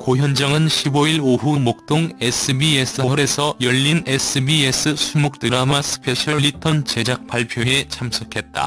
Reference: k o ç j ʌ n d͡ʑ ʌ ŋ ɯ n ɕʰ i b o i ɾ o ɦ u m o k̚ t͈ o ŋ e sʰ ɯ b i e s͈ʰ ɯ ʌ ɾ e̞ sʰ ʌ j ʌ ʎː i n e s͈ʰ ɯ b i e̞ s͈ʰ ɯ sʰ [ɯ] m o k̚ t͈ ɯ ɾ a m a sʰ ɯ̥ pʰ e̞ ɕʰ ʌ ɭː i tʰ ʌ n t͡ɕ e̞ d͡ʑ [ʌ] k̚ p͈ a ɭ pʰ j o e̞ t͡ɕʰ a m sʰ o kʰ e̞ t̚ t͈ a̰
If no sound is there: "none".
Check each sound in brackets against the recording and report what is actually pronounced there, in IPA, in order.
u, a

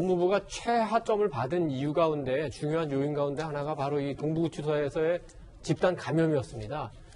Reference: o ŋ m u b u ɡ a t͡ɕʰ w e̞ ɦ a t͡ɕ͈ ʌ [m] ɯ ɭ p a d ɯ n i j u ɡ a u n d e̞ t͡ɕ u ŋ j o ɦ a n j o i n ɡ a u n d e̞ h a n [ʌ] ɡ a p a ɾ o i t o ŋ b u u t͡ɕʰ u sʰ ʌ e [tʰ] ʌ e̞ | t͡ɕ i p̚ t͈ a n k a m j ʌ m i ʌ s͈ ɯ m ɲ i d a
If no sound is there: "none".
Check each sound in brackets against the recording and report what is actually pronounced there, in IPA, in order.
m, a, sʰ

